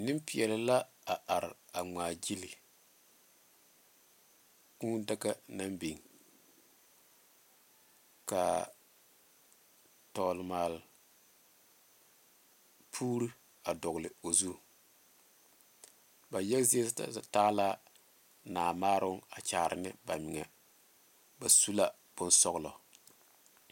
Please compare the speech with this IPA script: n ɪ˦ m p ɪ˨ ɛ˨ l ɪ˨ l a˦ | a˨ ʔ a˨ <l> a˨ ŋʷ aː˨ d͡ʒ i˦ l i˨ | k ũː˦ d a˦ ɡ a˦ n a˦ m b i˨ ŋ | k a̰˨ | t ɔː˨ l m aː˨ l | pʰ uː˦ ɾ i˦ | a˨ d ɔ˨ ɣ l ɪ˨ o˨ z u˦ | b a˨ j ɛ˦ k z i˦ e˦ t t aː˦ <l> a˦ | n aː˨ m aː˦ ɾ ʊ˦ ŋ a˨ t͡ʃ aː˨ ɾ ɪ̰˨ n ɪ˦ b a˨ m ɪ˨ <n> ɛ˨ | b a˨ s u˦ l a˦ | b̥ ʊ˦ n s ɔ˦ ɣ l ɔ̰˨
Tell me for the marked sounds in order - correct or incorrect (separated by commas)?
incorrect, correct, incorrect